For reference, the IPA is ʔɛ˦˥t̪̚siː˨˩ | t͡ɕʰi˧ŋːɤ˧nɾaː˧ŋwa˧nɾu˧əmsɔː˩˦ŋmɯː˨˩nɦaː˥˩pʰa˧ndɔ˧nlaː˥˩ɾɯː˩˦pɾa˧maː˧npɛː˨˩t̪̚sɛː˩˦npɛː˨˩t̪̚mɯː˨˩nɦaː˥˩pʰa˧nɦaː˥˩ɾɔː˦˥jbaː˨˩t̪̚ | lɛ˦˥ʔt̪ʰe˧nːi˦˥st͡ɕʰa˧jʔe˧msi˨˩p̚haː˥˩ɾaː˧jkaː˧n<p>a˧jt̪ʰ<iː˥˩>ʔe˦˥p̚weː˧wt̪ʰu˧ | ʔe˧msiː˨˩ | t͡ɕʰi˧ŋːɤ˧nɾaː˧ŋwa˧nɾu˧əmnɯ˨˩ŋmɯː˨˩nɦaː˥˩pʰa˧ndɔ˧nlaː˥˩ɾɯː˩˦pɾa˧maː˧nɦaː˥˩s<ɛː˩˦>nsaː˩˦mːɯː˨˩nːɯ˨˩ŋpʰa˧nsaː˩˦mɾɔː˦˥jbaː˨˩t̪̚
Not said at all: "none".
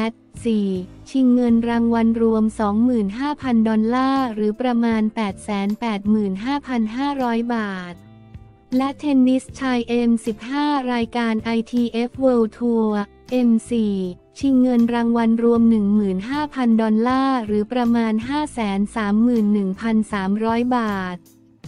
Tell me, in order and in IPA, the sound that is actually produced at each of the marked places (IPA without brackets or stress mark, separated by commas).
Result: ʔ, iː˧, ɛː˩˦